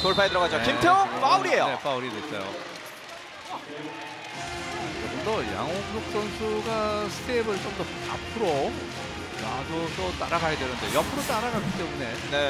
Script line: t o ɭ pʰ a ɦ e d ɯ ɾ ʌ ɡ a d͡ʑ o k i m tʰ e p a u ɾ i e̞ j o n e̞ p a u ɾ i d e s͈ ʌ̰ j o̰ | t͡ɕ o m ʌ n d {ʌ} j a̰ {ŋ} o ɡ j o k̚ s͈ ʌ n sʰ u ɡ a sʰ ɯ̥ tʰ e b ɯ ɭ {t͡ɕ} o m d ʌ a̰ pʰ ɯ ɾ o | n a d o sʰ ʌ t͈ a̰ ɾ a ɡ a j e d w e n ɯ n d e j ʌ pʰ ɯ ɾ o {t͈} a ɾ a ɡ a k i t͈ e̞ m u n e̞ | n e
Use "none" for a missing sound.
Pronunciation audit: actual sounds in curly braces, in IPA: ʌ, ŋ, t͡ɕ, t͈

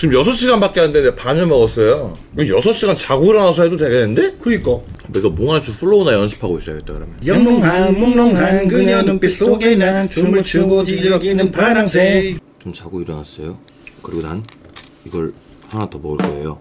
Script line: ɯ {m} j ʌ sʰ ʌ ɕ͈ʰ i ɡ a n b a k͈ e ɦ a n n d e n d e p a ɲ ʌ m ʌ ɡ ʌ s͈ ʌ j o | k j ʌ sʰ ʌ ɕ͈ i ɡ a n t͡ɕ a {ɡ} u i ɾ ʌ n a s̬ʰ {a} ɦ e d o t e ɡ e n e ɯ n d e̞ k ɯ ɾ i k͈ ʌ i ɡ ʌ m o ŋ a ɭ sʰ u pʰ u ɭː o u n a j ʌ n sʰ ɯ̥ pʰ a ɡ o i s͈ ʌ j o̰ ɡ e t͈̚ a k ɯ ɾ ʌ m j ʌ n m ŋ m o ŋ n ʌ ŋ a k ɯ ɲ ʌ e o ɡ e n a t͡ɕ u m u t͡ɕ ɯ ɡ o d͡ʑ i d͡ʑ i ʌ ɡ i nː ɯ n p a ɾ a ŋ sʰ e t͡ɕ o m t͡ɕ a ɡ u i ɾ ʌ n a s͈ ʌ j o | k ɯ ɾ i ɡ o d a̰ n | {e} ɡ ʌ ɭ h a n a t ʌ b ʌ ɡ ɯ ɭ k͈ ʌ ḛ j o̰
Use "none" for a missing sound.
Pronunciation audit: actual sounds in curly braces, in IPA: m, ɡ, ʌ, i

